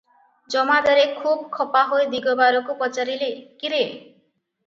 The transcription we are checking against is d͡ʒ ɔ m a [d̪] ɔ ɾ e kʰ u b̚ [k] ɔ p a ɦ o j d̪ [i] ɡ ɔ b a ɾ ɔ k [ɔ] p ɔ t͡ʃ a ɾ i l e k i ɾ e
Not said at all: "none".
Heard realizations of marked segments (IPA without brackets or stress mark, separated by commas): d̪, kʰ, i, u